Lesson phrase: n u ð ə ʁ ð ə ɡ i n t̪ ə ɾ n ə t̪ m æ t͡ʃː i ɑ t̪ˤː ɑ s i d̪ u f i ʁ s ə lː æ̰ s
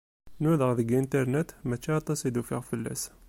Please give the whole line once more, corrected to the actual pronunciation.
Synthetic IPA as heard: n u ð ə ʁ ð ə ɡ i n t̪ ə ɾ n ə t̪ m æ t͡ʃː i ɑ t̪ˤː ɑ s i d̪ u f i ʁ f ə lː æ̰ s